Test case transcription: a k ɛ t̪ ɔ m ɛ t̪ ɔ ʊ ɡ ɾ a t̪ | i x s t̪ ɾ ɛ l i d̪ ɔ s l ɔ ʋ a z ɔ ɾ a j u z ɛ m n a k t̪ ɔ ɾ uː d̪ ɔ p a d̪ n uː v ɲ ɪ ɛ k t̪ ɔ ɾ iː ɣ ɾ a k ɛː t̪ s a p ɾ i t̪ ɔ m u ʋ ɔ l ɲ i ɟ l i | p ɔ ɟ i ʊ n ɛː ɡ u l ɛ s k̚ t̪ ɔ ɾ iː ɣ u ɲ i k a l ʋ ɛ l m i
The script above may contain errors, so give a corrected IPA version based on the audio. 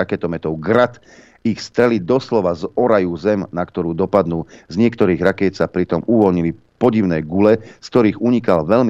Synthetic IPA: a k ɛ t̪ ɔ m ɛ t̪ ɔ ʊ ɡ ɾ a t̪ | i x s t̪ ɾ ɛ l i d̪ ɔ s l ɔ ʋ a z ɔ ɾ a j u z ɛ m n a k t̪ ɔ ɾ uː d̪ ɔ p a d̪ n uː z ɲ ɪ ɛ k t̪ ɔ ɾ iː ɣ ɾ a k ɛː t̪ s a p ɾ i t̪ ɔ m u ʋ ɔ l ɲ i l i | p ɔ ɟ i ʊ n ɛː ɡ u l ɛ s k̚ t̪ ɔ ɾ iː ɣ u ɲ i k a l ʋ ɛ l m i